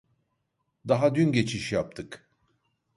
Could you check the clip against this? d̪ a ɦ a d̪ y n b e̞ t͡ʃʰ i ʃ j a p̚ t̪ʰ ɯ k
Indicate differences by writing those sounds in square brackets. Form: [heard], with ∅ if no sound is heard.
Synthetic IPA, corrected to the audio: d̪ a ɦ a d̪ y n [ɟ] e̞ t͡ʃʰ i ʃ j a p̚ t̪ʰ ɯ k